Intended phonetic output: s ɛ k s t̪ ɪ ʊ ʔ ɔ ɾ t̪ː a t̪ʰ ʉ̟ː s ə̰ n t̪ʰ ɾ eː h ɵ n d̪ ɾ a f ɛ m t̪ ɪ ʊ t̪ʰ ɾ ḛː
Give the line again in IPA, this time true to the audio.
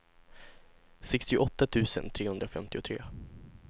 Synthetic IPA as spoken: s ɛ k s t̪ ɪ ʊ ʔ ɔ t̪ː a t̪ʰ ʉ̟ː s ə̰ n t̪ʰ ɾ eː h ɵ n d̪ ɾ a f ɛ m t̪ ɪ ʊ t̪ʰ ɾ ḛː